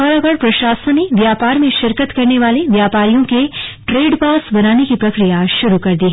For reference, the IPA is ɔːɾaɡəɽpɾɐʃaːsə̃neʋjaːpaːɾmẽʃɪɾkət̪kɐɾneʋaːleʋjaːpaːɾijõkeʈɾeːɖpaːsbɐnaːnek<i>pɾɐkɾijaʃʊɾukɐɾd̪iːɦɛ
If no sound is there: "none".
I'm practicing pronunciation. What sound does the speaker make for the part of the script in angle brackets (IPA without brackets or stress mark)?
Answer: i